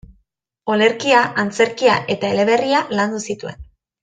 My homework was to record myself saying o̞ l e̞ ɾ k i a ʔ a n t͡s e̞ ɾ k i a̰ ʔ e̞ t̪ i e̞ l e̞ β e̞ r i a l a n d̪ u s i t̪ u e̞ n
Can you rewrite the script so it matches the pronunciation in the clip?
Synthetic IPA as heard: o̞ l e̞ ɾ k i a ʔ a n t͡s e̞ ɾ k i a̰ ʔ e̞ t̪ a e̞ l e̞ β e̞ r i a l a n d̪ u s i t̪ u e̞ n